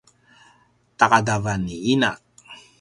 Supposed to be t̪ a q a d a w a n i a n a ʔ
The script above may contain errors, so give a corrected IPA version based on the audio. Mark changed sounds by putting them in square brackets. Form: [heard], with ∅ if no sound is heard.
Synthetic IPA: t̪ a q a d a [v] a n i [i] n a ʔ